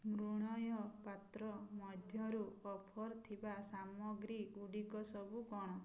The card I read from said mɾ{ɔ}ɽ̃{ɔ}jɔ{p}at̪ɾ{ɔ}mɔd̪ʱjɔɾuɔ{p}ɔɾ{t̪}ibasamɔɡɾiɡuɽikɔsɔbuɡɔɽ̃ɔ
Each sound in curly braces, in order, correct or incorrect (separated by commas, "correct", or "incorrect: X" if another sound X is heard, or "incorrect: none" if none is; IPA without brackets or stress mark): incorrect: u, correct, correct, correct, incorrect: pʰ, incorrect: t̪ʰ